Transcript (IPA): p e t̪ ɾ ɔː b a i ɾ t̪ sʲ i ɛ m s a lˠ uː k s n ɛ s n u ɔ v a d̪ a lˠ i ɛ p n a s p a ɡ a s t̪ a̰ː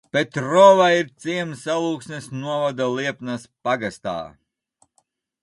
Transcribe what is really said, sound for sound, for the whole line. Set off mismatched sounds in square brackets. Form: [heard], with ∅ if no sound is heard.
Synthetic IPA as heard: p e t̪ ɾ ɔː [v] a i ɾ t̪ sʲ i ɛ m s a lˠ uː k s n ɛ s n u ɔ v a d̪ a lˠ i ɛ p n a s p a ɡ a s t̪ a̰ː